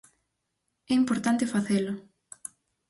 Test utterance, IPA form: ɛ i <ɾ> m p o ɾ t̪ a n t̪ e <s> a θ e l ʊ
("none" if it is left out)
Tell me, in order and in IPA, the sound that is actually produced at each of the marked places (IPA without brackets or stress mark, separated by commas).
none, f